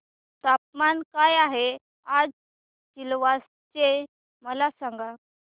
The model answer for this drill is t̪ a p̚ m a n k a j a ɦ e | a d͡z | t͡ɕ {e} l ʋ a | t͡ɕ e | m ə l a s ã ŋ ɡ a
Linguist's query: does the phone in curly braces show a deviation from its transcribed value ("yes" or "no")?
yes